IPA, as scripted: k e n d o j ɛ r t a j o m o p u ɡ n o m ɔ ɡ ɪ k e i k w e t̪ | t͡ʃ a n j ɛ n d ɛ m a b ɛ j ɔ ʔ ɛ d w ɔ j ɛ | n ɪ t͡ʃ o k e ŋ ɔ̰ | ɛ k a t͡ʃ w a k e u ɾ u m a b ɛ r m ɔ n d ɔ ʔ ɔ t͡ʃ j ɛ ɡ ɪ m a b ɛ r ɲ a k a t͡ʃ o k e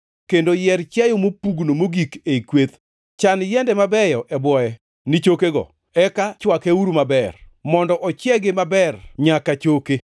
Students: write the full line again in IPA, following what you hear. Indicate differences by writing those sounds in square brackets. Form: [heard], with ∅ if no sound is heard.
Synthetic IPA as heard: k e n d o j ɛ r [t͡ʃ] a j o m o p u ɡ n o m [o] ɡ [i] k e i k w e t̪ | t͡ʃ a n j ɛ n d ɛ m a b ɛ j ɔ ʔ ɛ [b] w ɔ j ɛ | n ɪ t͡ʃ o k e [ɡ] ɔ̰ | ɛ k a t͡ʃ w a k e u ɾ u m a b ɛ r m ɔ n d ɔ ʔ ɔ t͡ʃ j ɛ ɡ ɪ m a b ɛ r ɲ a k a t͡ʃ o k e